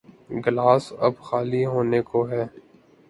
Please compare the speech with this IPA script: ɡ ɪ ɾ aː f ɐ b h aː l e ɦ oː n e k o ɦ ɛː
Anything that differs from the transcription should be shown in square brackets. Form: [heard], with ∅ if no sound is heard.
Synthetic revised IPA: ɡ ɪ [l] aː [s] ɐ b [x] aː l [i] ɦ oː n e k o ɦ ɛː